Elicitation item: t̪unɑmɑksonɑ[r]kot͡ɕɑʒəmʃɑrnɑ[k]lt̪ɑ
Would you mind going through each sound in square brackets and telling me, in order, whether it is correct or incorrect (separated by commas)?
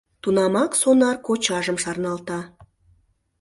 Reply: correct, incorrect